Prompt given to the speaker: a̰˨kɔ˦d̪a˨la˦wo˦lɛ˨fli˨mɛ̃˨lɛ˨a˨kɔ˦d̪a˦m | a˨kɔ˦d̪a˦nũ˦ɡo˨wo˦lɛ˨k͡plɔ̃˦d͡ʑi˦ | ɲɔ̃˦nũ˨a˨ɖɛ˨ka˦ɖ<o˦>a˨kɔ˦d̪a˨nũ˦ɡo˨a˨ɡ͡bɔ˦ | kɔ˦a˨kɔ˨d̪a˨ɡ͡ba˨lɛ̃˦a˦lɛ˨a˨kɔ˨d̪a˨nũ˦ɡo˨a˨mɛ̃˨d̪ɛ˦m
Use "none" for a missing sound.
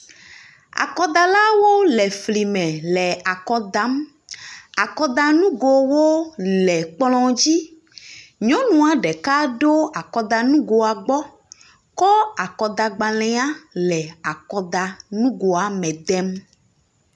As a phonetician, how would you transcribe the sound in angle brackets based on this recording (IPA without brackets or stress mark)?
o˦